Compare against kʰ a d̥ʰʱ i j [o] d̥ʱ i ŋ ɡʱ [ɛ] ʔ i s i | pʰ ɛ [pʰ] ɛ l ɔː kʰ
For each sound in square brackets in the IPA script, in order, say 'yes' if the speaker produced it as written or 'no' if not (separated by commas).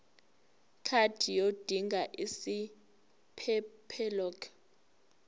yes, no, yes